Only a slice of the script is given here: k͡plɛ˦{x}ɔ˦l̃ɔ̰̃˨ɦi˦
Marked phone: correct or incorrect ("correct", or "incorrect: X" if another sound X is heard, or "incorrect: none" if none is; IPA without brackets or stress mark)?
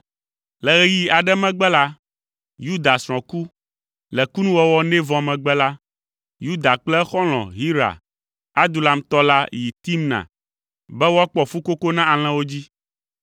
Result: correct